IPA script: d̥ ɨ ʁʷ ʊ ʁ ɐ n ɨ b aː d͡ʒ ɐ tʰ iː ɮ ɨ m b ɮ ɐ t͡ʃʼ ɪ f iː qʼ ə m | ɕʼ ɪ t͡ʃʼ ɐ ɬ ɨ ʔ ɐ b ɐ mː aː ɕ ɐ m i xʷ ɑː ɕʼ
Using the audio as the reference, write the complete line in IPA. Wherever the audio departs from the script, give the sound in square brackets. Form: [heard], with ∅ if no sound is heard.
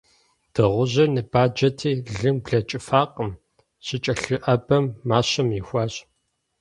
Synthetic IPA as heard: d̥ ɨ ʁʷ ʊ [ʑ] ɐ n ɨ b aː d͡ʒ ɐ tʰ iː ɮ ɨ m b ɮ ɐ t͡ʃʼ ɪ f [aː] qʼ ə m | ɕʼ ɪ t͡ʃʼ ɐ ɬ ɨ ʔ ɐ b ɐ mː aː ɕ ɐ m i xʷ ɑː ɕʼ